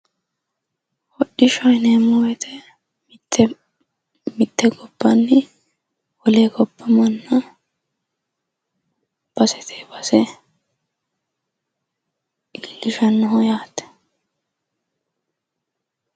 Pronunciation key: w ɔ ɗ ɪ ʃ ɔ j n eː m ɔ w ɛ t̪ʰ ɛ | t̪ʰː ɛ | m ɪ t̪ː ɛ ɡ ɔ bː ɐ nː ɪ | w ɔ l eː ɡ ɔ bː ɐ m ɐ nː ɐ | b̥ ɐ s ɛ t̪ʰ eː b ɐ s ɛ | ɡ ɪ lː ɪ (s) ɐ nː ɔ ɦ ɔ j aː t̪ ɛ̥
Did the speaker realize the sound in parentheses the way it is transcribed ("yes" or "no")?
no